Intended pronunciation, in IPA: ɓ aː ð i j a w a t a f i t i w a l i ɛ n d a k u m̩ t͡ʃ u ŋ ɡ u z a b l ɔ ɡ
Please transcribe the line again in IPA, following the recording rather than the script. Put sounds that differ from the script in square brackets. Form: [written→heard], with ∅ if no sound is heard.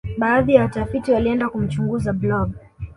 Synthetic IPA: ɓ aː ð i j a w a t a f i t i w a l i ɛ n d a k u m̩ t͡ʃ u ŋ ɡ u z a b l ɔ ɡ